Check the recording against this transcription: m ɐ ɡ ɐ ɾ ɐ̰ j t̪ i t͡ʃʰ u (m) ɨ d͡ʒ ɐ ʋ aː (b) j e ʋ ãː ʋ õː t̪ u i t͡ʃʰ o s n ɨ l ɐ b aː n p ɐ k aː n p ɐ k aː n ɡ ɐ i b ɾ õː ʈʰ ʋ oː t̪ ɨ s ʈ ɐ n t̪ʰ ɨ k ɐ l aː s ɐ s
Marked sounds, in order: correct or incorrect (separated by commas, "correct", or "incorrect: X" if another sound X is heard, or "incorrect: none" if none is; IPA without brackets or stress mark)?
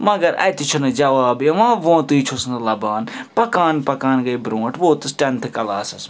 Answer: incorrect: n, correct